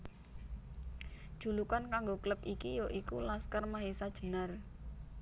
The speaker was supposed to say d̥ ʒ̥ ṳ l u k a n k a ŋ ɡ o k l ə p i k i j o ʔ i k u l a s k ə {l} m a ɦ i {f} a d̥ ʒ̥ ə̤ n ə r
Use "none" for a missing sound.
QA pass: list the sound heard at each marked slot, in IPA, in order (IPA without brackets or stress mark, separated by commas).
r, s